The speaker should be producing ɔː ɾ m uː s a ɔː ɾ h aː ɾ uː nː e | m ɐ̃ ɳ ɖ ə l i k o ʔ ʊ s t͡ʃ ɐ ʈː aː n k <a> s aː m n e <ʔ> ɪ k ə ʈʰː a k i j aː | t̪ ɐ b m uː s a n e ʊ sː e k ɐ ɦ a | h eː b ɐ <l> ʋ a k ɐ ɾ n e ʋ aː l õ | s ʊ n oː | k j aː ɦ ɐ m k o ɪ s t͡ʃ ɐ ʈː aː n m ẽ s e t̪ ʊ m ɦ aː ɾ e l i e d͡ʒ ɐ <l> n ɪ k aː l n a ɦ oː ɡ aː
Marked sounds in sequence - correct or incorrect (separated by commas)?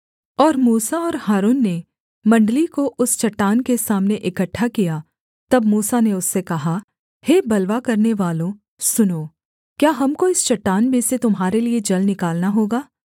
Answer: incorrect, correct, correct, correct